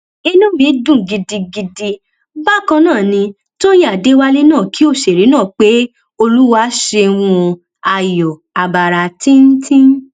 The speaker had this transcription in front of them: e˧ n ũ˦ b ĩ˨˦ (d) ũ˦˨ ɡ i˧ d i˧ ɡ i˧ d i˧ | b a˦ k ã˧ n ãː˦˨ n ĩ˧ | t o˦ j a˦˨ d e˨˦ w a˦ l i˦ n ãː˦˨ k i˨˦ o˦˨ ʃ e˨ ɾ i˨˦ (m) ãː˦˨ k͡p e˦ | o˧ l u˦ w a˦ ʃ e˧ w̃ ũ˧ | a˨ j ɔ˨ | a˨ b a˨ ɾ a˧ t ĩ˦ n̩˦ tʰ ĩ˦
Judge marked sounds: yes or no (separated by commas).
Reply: yes, no